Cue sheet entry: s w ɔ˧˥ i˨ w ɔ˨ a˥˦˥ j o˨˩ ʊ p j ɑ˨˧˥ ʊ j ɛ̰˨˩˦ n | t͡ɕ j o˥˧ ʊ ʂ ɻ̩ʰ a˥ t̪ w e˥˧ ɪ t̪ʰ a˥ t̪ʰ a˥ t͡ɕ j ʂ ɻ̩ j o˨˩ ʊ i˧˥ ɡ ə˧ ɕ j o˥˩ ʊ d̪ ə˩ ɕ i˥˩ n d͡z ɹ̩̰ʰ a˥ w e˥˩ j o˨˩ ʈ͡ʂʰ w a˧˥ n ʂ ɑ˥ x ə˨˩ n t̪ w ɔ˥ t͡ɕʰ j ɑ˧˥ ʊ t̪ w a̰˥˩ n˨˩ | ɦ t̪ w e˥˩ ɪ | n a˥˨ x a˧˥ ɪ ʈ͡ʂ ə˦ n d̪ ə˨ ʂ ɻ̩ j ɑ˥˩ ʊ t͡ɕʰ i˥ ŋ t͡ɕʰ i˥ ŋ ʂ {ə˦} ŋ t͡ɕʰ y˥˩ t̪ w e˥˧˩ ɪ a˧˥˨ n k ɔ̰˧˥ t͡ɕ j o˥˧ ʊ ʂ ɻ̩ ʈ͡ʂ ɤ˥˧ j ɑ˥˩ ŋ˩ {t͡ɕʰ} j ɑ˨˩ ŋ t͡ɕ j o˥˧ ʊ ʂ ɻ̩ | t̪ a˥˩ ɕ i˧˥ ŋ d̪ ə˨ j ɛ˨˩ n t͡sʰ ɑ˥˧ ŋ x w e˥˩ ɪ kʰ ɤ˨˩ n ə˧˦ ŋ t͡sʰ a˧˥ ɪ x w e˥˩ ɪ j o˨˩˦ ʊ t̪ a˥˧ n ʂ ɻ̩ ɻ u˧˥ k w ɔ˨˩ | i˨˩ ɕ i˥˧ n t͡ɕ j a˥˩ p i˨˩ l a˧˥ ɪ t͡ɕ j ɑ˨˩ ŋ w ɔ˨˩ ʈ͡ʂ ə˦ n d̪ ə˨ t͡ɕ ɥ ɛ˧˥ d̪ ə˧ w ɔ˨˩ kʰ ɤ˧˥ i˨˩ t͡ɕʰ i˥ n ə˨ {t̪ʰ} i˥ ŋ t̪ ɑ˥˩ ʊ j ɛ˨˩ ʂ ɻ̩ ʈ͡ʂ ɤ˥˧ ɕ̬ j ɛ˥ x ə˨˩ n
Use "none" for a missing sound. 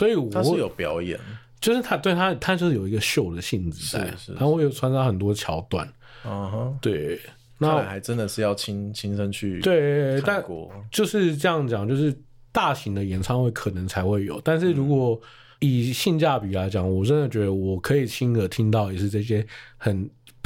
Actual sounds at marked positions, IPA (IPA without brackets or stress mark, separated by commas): ə˦, t͡ɕ, t̪ʰ